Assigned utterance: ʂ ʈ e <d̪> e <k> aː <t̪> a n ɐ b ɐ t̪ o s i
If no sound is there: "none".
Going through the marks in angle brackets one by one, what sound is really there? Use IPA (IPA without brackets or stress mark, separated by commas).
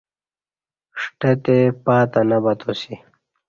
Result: t̪, p, t̪